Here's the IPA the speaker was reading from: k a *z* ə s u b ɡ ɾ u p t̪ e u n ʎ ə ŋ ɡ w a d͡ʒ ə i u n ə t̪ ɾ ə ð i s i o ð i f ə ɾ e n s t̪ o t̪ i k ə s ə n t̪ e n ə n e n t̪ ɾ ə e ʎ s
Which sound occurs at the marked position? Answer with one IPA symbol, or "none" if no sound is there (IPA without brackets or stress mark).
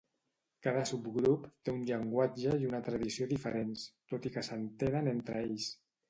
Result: ð